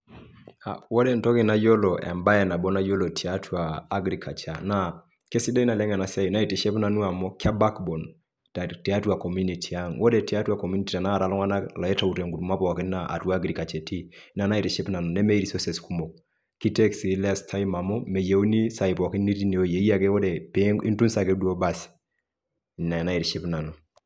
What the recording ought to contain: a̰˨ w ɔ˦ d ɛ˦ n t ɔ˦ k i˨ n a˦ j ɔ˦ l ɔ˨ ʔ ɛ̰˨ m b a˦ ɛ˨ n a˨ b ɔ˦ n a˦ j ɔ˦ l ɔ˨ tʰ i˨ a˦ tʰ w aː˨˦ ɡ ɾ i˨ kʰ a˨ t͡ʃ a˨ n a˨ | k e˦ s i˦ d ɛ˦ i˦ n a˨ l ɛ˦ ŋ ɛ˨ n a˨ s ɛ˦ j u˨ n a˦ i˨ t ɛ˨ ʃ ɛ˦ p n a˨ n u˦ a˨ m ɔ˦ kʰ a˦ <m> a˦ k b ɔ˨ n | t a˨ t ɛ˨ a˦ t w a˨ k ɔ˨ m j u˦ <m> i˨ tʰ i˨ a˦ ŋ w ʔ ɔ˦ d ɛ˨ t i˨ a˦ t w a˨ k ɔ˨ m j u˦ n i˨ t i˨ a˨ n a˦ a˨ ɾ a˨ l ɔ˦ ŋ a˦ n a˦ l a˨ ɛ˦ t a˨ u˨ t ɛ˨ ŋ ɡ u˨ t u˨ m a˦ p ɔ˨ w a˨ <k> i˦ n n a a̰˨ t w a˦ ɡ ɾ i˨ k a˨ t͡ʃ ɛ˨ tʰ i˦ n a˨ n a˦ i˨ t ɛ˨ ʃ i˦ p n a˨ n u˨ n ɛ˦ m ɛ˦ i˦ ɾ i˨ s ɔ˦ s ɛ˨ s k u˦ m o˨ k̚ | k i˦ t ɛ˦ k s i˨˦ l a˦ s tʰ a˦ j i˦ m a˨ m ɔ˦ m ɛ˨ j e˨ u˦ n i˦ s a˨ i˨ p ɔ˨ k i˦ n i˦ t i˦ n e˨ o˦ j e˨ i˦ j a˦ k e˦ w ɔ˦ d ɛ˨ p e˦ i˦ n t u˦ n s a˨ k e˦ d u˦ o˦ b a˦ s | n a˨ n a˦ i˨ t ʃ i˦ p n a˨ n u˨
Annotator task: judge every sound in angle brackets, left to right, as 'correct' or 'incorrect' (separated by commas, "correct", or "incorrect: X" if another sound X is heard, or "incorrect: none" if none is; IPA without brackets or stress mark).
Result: incorrect: b, incorrect: n, correct